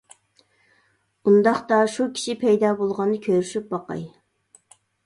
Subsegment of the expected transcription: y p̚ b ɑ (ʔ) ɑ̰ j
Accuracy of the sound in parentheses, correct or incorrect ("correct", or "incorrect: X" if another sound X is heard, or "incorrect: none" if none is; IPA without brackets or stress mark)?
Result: incorrect: q